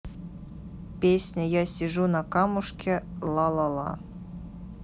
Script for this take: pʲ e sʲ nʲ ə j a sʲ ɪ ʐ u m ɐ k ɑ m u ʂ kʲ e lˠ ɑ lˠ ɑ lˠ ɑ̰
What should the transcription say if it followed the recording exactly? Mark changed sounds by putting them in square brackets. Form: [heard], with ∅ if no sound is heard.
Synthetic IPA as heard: pʲ e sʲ nʲ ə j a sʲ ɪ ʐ u [n] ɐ k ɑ m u ʂ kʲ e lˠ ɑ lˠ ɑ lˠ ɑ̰